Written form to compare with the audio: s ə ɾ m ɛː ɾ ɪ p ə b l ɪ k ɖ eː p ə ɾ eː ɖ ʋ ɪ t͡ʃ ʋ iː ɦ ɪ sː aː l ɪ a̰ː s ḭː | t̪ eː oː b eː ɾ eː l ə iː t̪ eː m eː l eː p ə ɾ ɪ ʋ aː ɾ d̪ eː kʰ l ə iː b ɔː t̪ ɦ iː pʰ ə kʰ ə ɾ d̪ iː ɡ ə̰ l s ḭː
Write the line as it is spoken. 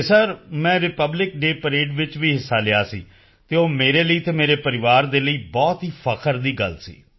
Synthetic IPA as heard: s ə ɾ m ɛ̃ː ɾ ɪ p ə b l ɪ k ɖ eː p ə ɾ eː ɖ ʋ ɪ t͡ʃ ʋ iː ɦ ɪ sː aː l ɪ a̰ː s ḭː | t̪ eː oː m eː ɾ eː l ə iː t̪ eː m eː ɾ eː p ə ɾ ɪ ʋ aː ɾ d̪ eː l ə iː b ɔː t̪ ɦ iː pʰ ə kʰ ə ɾ d̪ iː ɡ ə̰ l s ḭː

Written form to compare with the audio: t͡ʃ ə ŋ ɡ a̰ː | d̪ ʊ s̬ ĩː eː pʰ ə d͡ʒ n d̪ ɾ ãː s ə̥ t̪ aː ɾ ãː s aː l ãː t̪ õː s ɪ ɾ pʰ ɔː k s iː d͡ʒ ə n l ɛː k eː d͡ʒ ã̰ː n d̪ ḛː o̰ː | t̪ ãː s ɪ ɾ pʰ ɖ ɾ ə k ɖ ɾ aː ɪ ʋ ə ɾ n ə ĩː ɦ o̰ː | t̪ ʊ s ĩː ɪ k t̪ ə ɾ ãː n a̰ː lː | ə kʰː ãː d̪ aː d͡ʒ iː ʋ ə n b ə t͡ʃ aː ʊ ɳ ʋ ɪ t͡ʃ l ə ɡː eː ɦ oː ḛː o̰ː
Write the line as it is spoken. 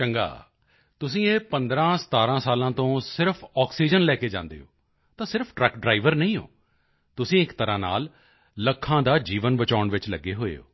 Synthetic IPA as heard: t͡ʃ ə ŋ ɡ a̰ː | t̪ ʊ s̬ ĩː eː p ə n d̪ ɾ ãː s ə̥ t̪ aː ɾ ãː s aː l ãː t̪ õː s ɪ ɾ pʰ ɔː k s iː d͡ʒ ə n l ɛː k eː d͡ʒ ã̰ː n d̪ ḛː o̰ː | t̪ ãː s ɪ ɾ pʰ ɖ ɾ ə k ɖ ɾ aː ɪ ʋ ə ɾ n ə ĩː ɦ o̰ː | t̪ ʊ s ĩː ɪ k t̪ ə ɾ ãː n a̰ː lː | ə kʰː ãː d̪ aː d͡ʒ iː ʋ ə n b ə t͡ʃ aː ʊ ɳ ʋ ɪ t͡ʃ l ə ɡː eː ɦ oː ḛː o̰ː

